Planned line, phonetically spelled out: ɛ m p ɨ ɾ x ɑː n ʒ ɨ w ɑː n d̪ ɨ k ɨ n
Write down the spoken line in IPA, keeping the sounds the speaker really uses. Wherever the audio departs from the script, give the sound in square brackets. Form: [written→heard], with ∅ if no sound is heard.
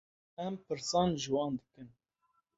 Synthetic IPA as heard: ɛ m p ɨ ɾ [x→s] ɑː n ʒ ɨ w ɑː n d̪ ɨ k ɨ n